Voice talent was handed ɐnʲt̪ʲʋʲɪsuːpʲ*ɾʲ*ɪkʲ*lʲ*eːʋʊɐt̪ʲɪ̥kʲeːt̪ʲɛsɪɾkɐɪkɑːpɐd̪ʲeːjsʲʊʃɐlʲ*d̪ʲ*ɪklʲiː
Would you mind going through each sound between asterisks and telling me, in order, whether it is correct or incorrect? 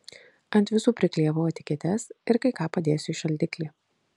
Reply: correct, correct, correct

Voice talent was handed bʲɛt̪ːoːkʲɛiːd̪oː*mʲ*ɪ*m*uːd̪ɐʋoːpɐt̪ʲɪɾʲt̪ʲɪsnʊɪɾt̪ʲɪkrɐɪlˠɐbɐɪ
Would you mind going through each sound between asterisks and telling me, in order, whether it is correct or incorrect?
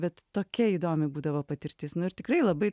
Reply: correct, incorrect: b

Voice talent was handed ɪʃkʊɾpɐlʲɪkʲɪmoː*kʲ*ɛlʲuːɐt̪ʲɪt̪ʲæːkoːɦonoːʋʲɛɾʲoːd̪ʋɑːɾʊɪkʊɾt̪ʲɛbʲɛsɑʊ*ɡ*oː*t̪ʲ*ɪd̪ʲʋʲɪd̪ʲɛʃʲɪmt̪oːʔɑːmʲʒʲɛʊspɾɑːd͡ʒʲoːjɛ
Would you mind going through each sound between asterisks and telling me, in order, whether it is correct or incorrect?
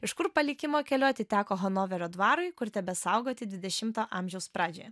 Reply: correct, correct, correct

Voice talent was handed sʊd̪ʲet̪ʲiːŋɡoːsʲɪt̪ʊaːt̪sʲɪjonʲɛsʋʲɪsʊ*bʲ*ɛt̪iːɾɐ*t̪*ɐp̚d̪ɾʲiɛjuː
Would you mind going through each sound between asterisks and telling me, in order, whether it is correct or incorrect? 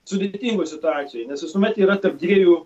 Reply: incorrect: mʲ, correct

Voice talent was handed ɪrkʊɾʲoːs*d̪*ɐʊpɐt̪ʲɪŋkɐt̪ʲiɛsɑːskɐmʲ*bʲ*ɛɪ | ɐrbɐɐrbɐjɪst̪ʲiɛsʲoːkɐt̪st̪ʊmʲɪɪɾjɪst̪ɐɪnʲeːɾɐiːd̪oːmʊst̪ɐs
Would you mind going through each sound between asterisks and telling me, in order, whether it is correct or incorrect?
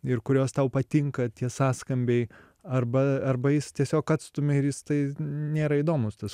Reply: incorrect: t̪, correct

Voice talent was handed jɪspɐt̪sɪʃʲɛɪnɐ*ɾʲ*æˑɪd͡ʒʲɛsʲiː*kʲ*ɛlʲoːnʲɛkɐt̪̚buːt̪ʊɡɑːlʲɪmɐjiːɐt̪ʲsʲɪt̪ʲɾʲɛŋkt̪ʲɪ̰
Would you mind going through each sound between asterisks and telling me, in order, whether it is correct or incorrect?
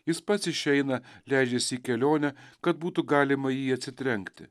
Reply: incorrect: lʲ, correct

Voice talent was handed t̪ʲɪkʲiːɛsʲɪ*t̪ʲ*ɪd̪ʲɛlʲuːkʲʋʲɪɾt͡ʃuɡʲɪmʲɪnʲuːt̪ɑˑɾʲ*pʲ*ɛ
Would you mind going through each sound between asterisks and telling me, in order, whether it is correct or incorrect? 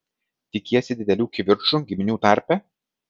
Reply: incorrect: d̪ʲ, correct

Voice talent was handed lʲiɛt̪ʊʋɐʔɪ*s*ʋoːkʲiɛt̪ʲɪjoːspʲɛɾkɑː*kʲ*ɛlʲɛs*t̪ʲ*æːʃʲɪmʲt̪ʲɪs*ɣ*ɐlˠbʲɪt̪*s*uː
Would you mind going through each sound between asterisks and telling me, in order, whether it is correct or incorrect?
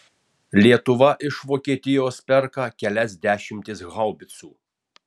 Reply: incorrect: ʃ, correct, incorrect: d̪ʲ, correct, correct

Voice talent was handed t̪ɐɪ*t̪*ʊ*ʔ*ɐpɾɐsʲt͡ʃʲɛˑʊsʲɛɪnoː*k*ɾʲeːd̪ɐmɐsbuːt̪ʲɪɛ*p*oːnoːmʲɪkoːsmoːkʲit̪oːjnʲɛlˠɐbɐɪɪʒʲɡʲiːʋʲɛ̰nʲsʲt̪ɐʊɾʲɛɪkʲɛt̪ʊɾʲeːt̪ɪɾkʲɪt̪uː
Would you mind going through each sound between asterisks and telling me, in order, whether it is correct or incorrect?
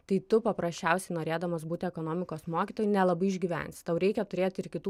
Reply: correct, incorrect: p, incorrect: none, incorrect: k

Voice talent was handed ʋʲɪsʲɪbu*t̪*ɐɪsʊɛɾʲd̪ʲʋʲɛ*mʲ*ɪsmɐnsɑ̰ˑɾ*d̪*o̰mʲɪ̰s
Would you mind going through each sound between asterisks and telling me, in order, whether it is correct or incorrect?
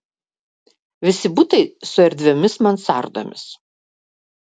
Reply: correct, correct, correct

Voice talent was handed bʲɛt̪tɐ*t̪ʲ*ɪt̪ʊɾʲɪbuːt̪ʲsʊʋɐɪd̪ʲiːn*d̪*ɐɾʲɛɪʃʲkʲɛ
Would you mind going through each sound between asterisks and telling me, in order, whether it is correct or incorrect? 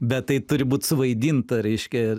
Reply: incorrect: none, incorrect: t̪

